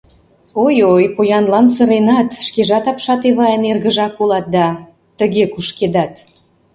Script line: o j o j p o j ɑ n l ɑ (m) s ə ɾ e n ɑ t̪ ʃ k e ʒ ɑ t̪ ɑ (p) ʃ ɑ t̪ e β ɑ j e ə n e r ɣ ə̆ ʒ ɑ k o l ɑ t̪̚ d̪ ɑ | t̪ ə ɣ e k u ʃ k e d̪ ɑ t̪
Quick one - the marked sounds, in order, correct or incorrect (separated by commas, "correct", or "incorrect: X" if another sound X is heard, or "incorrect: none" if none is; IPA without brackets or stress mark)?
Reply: incorrect: n, correct